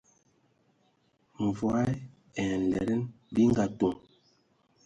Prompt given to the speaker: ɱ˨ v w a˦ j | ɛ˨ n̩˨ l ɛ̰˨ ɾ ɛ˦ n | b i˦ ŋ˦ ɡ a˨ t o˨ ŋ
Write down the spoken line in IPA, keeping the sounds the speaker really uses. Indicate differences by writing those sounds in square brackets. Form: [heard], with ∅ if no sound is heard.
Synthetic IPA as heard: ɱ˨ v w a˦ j | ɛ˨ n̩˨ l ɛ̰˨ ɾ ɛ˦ n | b i˦ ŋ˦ ɡ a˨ t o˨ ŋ